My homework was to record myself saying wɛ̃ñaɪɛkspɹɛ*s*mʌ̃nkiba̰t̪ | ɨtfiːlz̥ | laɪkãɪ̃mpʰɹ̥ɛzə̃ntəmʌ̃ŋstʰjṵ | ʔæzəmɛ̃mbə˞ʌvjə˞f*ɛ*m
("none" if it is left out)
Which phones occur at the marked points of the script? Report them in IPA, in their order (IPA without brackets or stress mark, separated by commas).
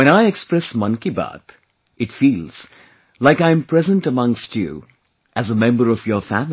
s, æ